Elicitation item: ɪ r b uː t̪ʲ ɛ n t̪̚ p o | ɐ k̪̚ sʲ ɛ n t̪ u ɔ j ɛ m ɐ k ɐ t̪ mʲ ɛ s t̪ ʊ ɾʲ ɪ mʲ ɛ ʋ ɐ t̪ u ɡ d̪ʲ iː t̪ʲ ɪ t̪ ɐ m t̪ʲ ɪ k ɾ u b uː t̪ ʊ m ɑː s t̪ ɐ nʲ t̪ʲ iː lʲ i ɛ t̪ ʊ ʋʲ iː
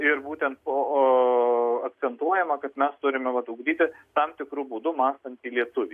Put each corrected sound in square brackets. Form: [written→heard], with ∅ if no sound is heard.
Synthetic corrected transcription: ɪ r b uː t̪ʲ ɛ n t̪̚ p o | ɐ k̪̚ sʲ ɛ n t̪ u ɔ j ɛ m ɐ k ɐ t̪ mʲ ɛ s t̪ ʊ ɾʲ ɪ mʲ ɛ ʋ ɐ t̪ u ɡ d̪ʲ iː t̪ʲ ɪ t̪ ɐ m t̪ʲ ɪ k ɾ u b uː [t̪→d̪] ʊ m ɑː s t̪ ɐ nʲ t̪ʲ iː lʲ i ɛ t̪ ʊ ʋʲ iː